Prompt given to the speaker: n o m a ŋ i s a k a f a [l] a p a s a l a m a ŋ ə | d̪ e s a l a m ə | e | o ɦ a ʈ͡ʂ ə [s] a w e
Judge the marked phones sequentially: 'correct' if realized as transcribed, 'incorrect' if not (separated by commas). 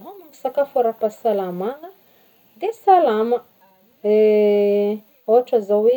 incorrect, incorrect